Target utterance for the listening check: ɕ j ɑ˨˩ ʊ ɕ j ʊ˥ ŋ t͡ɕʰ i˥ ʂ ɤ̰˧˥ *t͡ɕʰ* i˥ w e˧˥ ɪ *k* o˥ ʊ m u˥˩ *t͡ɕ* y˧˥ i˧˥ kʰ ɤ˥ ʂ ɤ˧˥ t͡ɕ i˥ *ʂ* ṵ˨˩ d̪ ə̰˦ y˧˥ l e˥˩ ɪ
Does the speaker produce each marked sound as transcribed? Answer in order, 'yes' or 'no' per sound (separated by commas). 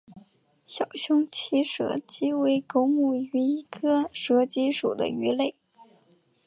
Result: no, yes, no, yes